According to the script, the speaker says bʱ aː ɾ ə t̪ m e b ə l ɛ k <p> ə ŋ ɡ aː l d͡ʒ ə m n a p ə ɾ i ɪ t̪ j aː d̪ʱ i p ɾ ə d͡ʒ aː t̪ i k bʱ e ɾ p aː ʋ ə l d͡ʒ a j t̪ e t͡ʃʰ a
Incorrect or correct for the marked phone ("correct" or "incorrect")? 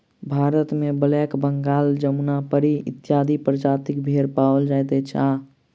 incorrect